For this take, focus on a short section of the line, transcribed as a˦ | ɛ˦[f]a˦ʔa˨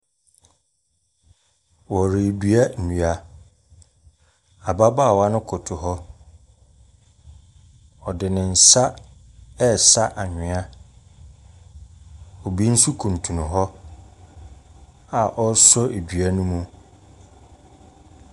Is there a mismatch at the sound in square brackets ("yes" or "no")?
yes